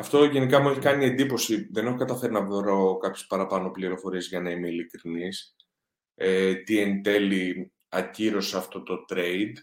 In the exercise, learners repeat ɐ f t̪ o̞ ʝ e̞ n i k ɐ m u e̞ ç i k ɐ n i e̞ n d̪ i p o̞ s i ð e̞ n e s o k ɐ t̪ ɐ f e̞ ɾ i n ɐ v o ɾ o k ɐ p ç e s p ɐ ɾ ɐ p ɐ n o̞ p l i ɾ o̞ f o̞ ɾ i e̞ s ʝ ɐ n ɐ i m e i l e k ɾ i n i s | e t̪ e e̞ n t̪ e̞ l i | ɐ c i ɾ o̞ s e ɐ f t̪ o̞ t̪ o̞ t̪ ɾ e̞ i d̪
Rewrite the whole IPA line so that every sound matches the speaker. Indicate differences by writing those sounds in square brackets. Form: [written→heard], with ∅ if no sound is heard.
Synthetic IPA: ɐ f t̪ o̞ ʝ e̞ n i k ɐ m u e̞ ç i k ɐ n i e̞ n d̪ i p o̞ s i ð e̞ n e [s→x] o k ɐ t̪ ɐ f e̞ ɾ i n ɐ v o ɾ o k ɐ p ç e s p ɐ ɾ ɐ p ɐ n o̞ p l i ɾ o̞ f o̞ ɾ i e̞ [s→z] ʝ ɐ n ɐ i m e i l [e→i] k ɾ i n i s | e t̪ [e→i] e̞ n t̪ e̞ l i | ɐ c i ɾ o̞ s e ɐ f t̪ o̞ t̪ o̞ t̪ ɾ e̞ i d̪